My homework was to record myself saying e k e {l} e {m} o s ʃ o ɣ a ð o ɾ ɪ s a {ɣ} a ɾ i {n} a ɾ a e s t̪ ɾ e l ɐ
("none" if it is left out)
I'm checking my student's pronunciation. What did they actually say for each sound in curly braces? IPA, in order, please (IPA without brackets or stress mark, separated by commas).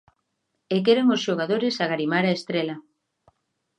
ɾ, ŋ, ɣ, m